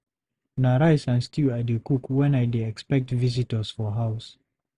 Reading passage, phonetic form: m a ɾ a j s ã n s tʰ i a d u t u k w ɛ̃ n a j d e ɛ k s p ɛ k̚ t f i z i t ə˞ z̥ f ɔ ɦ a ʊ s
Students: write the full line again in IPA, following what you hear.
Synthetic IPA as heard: n a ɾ a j s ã n s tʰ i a d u k u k w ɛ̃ n a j d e ɛ k s p ɛ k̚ t v i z i t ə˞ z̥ f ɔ ɦ a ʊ s